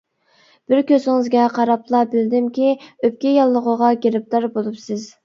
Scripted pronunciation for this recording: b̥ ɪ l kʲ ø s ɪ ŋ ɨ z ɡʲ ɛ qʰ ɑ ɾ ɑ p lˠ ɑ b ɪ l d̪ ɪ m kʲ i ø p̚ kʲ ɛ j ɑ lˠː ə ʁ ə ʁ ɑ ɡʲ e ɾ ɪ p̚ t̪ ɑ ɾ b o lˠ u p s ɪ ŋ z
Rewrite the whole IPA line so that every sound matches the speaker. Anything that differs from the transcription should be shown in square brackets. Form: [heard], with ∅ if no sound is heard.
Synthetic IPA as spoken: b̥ ɪ [ɾ] kʲ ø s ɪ ŋ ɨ z ɡʲ ɛ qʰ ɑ ɾ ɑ p lˠ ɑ b ɪ l d̪ ɪ m kʲ i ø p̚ kʲ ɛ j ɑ lˠː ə ʁ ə ʁ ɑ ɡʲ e ɾ ɪ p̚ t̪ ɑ ɾ b o lˠ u p s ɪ [∅] z

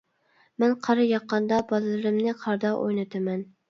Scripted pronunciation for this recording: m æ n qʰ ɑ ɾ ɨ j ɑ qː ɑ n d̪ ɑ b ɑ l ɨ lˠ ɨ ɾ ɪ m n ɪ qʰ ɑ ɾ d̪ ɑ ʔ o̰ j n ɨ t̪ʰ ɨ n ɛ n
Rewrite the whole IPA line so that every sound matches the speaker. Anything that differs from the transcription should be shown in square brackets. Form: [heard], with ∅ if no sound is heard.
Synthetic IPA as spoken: m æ n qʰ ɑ ɾ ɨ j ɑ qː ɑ n d̪ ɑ b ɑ l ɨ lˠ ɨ ɾ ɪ m n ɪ qʰ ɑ ɾ d̪ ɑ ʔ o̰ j n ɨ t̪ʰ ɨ [m] ɛ n

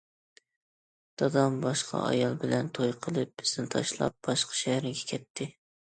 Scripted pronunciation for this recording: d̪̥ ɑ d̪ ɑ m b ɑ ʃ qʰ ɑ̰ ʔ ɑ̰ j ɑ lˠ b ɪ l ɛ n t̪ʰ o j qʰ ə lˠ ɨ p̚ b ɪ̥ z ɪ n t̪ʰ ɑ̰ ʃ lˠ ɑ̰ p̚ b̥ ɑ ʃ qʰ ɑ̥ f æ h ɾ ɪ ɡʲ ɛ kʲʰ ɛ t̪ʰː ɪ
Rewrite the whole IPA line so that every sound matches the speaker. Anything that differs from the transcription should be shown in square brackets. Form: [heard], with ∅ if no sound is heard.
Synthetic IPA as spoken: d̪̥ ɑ d̪ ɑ m b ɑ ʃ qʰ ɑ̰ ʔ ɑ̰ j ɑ lˠ b ɪ l ɛ n t̪ʰ o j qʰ ə lˠ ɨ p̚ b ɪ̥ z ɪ n t̪ʰ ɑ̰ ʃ lˠ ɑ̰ p̚ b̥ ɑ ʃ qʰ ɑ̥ [ʃ] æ h ɾ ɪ ɡʲ ɛ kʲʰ ɛ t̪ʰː ɪ

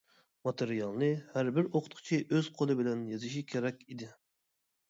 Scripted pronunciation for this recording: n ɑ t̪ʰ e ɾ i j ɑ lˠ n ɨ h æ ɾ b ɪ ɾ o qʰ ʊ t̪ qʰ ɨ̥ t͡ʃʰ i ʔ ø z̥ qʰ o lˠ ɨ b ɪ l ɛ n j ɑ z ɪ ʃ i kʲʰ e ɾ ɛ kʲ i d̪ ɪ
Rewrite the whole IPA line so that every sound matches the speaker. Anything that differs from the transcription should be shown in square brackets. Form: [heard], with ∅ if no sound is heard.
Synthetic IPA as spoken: [m] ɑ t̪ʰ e ɾ i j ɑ lˠ n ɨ h æ ɾ b ɪ ɾ o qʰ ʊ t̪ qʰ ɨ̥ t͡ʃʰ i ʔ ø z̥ qʰ o lˠ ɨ b ɪ l ɛ n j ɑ z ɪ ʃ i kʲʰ e ɾ ɛ kʲ i d̪ ɪ

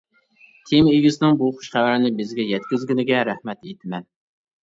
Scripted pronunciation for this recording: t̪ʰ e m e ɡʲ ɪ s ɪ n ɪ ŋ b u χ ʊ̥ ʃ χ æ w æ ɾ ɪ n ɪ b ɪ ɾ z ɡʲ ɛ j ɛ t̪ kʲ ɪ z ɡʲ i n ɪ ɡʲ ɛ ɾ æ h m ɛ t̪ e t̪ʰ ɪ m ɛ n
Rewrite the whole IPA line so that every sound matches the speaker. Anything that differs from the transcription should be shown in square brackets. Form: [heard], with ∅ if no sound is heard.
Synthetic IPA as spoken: t̪ʰ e m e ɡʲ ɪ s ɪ n ɪ ŋ b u χ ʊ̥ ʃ χ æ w æ ɾ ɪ n ɪ b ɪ [∅] z ɡʲ ɛ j ɛ t̪ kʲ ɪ z ɡʲ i n ɪ ɡʲ ɛ ɾ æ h m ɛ t̪ e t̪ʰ ɪ m ɛ n

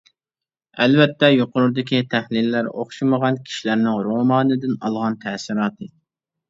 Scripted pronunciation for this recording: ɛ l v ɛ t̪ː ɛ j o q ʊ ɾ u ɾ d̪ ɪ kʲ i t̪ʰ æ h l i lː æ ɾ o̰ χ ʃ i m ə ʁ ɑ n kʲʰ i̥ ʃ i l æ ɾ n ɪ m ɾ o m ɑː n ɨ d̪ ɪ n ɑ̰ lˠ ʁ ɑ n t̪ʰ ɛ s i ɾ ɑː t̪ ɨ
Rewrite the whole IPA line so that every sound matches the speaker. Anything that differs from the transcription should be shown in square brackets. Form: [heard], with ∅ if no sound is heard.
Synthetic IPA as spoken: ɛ l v ɛ t̪ː ɛ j o q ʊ ɾ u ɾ d̪ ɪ kʲ i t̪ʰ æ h l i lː æ ɾ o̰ χ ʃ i m ə ʁ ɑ n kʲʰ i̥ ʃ i l æ ɾ n ɪ [ŋ] ɾ o m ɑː n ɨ d̪ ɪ n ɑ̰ lˠ ʁ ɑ n t̪ʰ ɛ s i ɾ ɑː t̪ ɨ

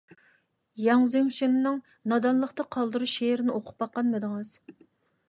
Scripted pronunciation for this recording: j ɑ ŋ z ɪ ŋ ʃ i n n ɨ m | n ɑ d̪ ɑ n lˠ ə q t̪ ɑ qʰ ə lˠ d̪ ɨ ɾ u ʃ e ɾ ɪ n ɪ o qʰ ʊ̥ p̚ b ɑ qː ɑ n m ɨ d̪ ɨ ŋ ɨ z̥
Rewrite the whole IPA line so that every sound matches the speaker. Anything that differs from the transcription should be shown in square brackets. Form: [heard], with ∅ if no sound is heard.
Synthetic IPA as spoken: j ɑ ŋ z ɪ ŋ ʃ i n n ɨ [ŋ] | n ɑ d̪ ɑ n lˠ ə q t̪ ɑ qʰ [ɑ] lˠ d̪ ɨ ɾ u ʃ e ɾ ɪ n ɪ o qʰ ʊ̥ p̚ b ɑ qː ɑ n m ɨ d̪ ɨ ŋ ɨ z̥

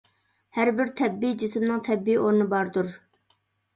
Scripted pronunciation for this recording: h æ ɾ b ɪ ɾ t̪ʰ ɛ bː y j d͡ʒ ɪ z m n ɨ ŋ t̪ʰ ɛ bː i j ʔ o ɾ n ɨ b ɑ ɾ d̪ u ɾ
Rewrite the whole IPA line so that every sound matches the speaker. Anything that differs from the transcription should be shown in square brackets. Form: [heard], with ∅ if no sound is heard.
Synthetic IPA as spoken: h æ ɾ b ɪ ɾ t̪ʰ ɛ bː [i] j d͡ʒ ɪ [s] m n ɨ ŋ t̪ʰ ɛ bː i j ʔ o ɾ n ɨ b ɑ ɾ d̪ u ɾ

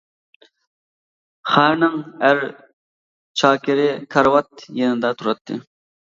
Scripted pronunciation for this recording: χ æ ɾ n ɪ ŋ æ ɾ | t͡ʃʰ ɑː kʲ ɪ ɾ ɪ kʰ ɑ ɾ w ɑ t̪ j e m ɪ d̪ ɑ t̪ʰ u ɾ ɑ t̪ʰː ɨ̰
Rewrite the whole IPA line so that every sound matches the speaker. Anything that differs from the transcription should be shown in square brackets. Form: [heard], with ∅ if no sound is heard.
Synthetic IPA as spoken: χ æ ɾ n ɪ ŋ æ ɾ | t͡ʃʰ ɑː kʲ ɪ ɾ ɪ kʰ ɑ ɾ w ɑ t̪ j e [n] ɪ d̪ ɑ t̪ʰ u ɾ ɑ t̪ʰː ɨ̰

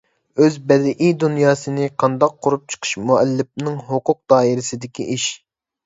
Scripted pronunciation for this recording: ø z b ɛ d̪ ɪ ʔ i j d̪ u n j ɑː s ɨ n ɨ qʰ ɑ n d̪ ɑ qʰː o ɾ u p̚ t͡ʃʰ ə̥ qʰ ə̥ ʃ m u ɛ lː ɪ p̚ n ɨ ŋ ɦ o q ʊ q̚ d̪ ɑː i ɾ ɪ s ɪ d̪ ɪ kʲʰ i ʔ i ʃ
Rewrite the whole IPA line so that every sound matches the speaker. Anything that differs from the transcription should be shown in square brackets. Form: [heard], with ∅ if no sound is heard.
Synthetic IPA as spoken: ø z b ɛ d̪ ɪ ʔ i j d̪ u n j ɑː s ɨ n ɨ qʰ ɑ n d̪ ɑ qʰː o ɾ u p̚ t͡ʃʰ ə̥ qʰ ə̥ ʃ m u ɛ lː ɪ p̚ n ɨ ŋ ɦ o q ʊ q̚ d̪ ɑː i ɾ ɪ s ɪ d̪ ɪ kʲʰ i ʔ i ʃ

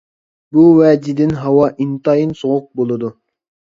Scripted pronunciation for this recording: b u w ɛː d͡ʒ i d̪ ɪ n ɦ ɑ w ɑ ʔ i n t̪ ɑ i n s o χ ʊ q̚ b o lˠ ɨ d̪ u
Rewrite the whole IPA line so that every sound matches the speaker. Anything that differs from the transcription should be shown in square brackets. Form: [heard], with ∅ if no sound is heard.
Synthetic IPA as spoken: b u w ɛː d͡ʒ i d̪ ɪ n ɦ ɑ w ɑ ʔ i n t̪ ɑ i n s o [ʁ] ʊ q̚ b o lˠ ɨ d̪ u

